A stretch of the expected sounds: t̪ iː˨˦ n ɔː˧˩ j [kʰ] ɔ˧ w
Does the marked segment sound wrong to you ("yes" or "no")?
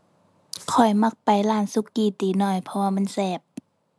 yes